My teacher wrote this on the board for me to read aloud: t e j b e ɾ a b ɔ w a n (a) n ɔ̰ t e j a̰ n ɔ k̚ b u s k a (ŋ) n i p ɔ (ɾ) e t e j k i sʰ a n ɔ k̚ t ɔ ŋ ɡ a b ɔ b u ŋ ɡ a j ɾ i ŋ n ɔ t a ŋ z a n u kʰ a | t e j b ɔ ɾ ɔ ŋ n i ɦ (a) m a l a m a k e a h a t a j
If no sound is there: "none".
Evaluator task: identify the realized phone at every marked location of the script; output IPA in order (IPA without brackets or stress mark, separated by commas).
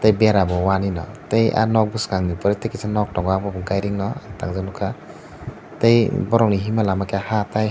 i, ŋ, ɾ, i